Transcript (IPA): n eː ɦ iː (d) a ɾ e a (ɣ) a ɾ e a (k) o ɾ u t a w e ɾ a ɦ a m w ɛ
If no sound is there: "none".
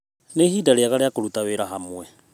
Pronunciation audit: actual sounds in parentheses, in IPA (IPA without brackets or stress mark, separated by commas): d, ɣ, k